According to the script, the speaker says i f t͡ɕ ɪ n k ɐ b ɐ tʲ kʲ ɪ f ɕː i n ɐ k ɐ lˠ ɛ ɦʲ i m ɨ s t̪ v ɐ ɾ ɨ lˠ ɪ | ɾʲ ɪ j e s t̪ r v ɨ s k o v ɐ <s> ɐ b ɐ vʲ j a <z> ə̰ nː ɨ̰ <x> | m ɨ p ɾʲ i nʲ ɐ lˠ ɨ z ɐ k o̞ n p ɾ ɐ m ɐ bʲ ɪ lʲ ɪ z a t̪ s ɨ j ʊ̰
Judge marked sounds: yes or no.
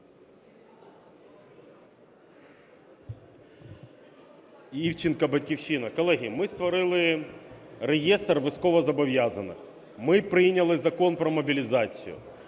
no, yes, yes

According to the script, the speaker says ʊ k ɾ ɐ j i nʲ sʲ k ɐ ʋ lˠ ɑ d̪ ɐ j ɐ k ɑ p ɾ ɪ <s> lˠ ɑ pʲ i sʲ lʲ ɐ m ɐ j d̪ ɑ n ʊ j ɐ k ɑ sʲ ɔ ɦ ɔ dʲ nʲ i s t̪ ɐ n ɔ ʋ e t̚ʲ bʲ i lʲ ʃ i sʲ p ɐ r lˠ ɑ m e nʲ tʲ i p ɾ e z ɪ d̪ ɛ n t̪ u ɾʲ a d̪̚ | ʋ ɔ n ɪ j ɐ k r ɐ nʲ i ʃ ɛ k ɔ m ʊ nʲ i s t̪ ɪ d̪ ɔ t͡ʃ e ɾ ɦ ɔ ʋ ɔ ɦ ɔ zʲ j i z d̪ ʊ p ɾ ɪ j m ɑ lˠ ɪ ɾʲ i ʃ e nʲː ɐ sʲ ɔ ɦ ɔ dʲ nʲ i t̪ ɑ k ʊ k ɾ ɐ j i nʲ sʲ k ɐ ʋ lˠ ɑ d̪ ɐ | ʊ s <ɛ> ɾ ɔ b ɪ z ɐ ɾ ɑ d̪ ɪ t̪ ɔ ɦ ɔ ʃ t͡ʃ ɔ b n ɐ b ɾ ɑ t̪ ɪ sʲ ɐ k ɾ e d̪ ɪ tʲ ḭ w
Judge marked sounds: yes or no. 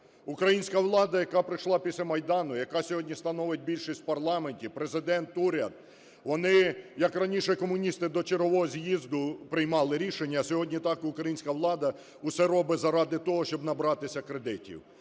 no, yes

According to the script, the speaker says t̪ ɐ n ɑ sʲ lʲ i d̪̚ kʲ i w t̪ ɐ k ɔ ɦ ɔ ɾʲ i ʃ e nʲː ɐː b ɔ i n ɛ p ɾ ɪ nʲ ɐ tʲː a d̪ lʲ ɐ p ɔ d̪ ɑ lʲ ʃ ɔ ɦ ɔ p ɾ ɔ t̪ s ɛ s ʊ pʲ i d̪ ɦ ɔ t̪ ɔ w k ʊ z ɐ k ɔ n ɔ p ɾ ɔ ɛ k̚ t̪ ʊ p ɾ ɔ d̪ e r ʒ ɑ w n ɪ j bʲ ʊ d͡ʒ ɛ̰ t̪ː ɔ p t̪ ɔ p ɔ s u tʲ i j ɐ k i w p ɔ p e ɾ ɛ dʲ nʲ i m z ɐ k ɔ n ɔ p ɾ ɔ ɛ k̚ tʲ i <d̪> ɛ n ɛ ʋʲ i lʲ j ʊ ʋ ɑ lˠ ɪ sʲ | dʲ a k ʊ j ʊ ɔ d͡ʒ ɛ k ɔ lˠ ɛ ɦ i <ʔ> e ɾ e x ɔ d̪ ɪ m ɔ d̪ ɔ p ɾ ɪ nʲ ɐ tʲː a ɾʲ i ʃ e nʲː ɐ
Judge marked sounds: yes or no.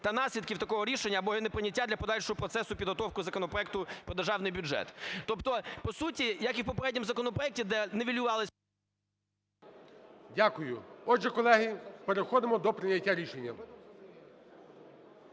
yes, no

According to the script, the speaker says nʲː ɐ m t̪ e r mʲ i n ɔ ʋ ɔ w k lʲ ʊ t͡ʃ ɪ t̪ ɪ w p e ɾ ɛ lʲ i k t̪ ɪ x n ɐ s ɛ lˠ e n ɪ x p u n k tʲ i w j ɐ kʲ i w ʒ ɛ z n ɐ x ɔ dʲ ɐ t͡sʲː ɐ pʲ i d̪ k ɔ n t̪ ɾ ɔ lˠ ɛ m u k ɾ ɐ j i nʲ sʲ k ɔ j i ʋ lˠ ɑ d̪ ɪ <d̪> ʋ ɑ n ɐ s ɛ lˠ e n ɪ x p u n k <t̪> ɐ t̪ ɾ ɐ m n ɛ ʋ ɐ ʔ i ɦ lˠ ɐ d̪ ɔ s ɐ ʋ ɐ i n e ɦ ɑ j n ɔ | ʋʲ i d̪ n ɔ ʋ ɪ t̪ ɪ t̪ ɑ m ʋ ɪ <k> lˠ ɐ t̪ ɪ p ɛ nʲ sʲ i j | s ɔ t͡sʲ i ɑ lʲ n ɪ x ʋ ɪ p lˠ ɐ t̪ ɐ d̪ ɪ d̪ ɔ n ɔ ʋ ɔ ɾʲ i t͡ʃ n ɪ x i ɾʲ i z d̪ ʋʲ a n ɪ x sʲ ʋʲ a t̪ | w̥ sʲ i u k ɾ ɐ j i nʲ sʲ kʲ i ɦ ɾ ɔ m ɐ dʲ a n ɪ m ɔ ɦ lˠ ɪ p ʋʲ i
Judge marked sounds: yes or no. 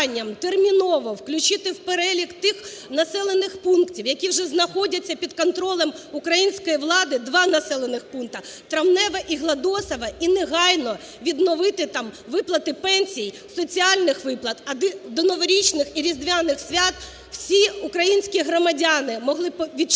yes, yes, no

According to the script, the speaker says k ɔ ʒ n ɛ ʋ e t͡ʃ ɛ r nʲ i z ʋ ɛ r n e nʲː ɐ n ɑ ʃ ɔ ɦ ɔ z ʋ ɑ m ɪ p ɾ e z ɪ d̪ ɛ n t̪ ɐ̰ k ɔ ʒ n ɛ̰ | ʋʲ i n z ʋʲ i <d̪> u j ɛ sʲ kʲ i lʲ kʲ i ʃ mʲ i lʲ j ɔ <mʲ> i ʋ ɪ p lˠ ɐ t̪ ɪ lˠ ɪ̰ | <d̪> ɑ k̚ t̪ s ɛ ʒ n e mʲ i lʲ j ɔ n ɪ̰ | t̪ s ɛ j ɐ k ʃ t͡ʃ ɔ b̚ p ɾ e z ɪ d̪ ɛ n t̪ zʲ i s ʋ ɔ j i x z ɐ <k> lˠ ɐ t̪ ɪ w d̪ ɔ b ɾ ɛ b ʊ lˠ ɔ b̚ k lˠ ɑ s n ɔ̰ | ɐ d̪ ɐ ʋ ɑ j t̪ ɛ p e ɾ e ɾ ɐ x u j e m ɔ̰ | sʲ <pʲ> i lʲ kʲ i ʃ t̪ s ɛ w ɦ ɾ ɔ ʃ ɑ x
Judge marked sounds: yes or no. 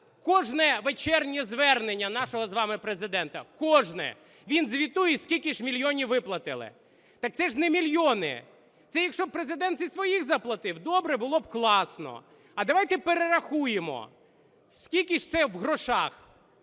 no, no, no, no, no

